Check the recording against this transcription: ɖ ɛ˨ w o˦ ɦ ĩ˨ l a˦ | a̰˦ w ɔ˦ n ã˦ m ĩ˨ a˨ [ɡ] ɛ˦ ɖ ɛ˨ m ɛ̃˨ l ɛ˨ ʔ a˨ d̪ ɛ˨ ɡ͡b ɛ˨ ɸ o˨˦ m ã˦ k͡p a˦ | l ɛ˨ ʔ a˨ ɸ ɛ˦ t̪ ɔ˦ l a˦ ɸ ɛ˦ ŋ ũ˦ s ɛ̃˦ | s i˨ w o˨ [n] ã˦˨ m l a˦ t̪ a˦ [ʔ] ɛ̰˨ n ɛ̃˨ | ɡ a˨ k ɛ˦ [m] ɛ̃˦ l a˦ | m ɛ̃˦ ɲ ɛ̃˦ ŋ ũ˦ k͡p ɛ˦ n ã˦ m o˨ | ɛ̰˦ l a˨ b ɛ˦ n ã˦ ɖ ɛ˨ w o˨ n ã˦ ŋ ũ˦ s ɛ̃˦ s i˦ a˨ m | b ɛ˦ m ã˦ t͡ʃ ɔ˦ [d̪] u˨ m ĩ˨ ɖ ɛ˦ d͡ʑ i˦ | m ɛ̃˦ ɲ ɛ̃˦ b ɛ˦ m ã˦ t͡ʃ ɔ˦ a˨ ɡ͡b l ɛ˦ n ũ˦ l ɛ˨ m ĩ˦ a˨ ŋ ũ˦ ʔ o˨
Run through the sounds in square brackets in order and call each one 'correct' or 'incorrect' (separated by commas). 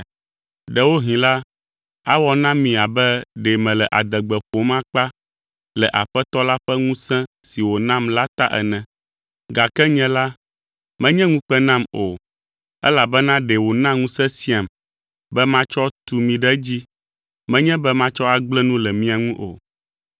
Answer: incorrect, correct, correct, incorrect, incorrect